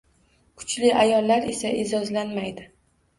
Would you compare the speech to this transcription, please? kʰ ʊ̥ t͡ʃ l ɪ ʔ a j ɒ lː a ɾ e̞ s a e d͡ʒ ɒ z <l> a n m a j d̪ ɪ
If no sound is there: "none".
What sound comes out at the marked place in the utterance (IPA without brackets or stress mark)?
l